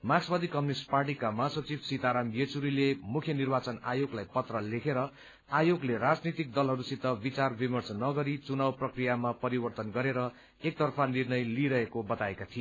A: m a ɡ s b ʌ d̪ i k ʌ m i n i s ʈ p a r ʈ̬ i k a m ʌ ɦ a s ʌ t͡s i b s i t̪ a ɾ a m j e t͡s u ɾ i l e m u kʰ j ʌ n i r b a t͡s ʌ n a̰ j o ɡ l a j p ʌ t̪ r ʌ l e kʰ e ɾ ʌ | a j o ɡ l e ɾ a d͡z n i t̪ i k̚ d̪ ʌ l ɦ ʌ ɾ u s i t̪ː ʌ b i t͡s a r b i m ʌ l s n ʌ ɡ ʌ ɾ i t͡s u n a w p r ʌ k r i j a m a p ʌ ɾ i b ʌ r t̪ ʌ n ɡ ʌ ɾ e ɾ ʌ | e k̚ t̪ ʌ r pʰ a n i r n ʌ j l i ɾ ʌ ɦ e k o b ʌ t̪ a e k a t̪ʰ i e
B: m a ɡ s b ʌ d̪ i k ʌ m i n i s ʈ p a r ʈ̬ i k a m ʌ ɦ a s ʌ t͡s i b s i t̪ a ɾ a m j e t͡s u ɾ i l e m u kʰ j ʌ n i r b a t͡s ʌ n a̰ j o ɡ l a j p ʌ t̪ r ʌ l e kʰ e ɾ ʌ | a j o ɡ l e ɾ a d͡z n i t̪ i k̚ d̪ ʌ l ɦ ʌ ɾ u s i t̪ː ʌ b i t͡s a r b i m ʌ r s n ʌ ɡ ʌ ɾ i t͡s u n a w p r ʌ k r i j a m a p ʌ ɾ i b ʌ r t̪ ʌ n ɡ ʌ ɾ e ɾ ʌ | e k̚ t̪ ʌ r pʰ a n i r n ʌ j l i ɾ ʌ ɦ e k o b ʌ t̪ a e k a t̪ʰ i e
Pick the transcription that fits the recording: B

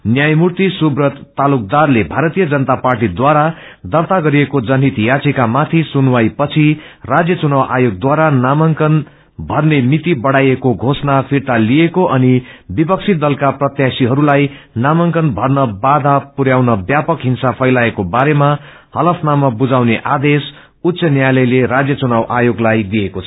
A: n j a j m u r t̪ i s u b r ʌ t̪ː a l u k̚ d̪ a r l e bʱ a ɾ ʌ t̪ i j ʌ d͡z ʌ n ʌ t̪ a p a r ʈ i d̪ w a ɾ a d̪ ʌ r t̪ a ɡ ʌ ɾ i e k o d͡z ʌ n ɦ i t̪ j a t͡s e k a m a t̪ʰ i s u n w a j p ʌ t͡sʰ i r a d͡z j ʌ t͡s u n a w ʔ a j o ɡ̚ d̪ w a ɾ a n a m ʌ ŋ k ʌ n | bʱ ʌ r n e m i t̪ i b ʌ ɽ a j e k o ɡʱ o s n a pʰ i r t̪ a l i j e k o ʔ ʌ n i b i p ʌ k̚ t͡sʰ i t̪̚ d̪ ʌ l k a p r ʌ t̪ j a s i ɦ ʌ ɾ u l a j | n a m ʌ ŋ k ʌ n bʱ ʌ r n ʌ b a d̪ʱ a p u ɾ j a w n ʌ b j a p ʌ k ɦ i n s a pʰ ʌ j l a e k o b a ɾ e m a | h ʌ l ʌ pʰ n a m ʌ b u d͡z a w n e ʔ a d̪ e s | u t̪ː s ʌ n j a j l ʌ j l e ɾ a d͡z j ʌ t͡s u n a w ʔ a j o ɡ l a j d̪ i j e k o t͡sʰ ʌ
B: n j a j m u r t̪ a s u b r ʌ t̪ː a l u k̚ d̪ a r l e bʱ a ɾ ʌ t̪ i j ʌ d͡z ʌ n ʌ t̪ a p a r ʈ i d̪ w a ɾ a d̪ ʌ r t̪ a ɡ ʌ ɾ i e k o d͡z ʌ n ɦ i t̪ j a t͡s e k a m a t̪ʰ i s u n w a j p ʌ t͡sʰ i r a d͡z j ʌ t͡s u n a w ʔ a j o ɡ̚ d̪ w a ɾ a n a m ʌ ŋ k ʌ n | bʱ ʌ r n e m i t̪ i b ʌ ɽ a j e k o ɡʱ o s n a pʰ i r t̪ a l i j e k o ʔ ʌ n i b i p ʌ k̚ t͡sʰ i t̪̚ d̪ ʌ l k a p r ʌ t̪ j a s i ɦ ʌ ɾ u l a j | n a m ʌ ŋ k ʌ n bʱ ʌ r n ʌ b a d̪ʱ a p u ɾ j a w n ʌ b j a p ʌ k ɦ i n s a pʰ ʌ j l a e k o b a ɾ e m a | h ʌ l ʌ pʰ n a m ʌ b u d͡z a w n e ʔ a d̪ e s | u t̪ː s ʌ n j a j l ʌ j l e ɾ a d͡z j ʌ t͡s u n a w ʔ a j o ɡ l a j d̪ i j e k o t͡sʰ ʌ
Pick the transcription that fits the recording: A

